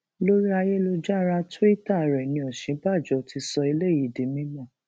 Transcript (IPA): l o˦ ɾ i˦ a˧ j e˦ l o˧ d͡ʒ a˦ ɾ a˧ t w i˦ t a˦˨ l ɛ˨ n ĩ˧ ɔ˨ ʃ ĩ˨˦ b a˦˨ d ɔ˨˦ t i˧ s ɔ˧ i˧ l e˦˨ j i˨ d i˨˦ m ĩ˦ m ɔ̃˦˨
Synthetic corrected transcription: l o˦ ɾ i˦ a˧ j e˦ l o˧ d͡ʒ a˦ ɾ a˧ t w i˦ t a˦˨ ɾ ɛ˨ n ĩ˧ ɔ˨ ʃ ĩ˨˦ b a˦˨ d͡ʒ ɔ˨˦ t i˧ s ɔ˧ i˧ l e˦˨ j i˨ d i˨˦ m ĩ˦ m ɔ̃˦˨

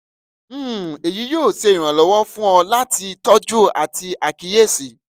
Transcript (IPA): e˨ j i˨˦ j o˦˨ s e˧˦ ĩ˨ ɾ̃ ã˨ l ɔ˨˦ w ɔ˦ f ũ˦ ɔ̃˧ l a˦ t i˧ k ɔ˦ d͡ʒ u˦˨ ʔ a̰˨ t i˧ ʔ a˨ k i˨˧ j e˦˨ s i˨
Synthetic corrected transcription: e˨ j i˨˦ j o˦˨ s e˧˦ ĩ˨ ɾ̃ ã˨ l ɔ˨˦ w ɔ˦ f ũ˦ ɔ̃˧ l a˦ t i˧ t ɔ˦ d͡ʒ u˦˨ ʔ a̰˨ t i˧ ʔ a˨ k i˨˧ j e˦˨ s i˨

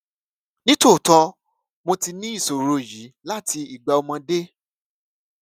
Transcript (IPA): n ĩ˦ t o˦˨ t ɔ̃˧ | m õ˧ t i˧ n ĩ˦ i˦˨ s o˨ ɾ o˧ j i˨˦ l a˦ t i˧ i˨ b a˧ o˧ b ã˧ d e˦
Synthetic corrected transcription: n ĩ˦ t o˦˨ t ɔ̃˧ | m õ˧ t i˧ n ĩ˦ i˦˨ s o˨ ɾ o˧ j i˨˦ l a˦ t i˧ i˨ ɡ͡b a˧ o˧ m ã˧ d e˦

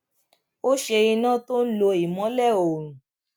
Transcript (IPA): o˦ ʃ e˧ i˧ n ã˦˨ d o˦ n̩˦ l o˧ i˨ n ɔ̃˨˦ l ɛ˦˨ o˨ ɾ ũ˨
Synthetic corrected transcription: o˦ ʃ e˧ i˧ n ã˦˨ t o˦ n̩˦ l o˧ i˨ m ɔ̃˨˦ l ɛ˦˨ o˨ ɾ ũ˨

